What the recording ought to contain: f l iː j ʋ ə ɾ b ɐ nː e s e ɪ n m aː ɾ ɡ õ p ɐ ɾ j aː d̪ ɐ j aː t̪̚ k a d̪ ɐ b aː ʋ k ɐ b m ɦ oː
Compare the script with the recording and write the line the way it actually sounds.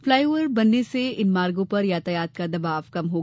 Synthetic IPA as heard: f l aː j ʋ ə ɾ b ɐ nː e s e ɪ n m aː ɾ ɡ õ p ɐ ɾ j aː t̪ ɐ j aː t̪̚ k a d̪ ɐ b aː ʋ k ɐ m ɦ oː